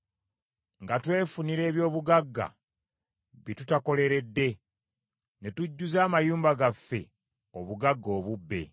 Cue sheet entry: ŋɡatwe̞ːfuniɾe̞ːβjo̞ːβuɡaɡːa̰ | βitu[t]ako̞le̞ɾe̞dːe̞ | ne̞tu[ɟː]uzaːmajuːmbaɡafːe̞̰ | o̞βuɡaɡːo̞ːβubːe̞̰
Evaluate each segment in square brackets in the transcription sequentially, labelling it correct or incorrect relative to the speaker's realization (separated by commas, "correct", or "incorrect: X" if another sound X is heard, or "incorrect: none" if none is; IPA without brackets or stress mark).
correct, correct